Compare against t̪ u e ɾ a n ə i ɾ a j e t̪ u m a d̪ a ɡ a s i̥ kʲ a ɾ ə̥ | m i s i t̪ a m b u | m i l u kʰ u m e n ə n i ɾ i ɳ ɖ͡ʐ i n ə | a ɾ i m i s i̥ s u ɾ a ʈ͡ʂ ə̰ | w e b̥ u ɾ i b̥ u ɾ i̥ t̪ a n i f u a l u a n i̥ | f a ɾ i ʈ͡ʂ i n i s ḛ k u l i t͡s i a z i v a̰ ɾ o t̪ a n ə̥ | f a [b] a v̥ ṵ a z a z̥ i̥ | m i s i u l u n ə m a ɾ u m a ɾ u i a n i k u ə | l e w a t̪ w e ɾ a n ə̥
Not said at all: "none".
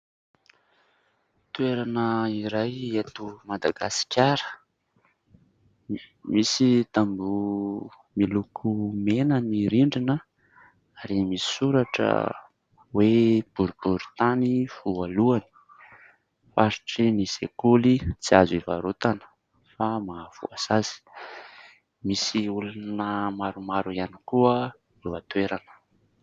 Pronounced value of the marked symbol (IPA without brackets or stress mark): m